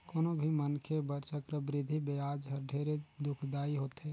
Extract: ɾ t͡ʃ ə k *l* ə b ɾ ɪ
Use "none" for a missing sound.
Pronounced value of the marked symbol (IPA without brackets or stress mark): ɾ